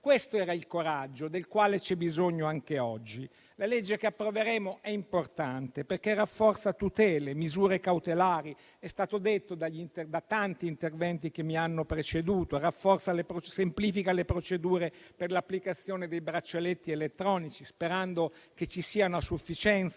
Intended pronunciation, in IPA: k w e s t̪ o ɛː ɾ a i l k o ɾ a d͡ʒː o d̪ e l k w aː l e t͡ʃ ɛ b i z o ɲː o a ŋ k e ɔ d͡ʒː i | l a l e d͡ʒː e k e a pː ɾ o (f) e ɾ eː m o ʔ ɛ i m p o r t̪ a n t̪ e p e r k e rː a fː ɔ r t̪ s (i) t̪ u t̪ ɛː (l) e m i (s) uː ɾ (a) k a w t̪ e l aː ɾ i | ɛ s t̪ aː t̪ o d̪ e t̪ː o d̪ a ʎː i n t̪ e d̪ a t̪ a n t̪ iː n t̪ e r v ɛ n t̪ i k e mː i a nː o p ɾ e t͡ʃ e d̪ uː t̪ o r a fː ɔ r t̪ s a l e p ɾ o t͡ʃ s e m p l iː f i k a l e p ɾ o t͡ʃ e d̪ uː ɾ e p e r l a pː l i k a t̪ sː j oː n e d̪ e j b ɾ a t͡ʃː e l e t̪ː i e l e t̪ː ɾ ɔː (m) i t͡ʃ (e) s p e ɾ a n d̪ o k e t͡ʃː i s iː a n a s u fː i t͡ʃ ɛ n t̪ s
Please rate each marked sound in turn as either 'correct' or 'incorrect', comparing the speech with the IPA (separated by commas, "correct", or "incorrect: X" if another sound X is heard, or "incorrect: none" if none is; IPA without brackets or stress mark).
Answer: incorrect: v, incorrect: a, correct, incorrect: z, incorrect: e, incorrect: n, incorrect: i